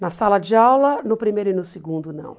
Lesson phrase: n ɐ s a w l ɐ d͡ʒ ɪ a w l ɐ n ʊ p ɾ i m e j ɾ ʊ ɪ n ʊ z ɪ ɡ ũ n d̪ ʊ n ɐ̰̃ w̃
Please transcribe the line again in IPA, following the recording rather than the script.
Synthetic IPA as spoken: n ɐ s a l ɐ d͡ʒ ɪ a w l ɐ n ʊ p ɾ i m e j ɾ ʊ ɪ n ʊ s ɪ ɡ ũ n d̪ ʊ n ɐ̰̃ w̃